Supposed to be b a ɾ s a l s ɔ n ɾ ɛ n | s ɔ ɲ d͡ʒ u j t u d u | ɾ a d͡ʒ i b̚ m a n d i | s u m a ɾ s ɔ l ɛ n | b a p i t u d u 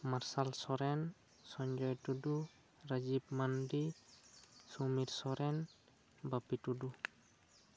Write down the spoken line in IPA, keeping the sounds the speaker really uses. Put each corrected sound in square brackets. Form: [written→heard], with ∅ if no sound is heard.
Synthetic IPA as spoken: [b→m] a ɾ s a l s ɔ [n→∅] ɾ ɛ n | s ɔ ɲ d͡ʒ [u→ɔ] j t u d u | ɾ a d͡ʒ i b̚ m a n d i | s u m [a→i] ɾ s ɔ [l→ɾ] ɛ n | b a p i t u d u